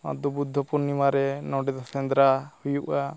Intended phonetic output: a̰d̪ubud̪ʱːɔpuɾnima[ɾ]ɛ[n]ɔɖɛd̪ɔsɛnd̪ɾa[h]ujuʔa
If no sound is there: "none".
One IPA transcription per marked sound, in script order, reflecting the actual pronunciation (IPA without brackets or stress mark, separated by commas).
ɾ, n, h